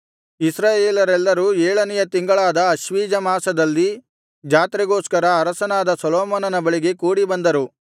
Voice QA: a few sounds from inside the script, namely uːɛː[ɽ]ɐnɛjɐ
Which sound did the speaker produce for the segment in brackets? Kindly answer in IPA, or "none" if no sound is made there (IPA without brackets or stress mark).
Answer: ɭ